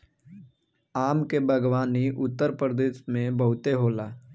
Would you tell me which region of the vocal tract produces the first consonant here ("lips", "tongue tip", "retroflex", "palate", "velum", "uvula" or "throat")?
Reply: lips